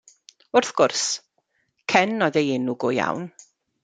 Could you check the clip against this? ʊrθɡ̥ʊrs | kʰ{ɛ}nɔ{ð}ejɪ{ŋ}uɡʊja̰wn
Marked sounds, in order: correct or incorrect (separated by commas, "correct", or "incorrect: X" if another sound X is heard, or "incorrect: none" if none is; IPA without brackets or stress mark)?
correct, correct, incorrect: n